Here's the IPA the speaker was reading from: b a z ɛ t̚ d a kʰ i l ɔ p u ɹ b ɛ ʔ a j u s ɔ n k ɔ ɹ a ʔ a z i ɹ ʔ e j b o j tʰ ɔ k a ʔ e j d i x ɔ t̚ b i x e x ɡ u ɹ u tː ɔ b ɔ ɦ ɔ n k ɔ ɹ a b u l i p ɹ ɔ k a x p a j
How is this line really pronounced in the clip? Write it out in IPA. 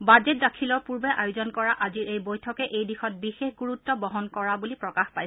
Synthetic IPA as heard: b a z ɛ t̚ d a kʰ i l ɔ p u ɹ b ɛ ʔ a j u z ɔ n k ɔ ɹ a ʔ a z i ɹ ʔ e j b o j tʰ ɔ k ɛ ʔ e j d i x ɔ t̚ b i x e x ɡ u ɹ u tː ɔ b ɔ ɦ ɔ n k ɔ ɹ a b u l i p ɹ ɔ k a x p a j